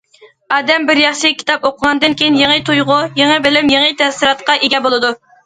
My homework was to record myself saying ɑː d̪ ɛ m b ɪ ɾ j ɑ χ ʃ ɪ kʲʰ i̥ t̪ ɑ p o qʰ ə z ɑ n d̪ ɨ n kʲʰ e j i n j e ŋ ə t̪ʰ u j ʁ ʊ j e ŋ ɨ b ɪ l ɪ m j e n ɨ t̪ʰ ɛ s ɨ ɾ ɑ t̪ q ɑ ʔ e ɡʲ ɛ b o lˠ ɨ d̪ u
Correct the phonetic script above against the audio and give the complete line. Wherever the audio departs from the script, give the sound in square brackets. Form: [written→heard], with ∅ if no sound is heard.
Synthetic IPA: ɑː d̪ ɛ m b ɪ ɾ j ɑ χ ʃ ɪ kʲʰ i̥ t̪ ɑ p o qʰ ə [z→ʁ] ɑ n d̪ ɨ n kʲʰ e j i n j e ŋ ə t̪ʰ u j ʁ ʊ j e ŋ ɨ b ɪ l ɪ m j e [n→ŋ] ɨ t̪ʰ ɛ s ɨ ɾ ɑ t̪ q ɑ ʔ e ɡʲ ɛ b o lˠ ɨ d̪ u